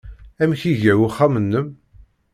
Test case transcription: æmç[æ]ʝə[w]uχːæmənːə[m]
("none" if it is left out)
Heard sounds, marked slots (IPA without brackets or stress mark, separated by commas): i, w, m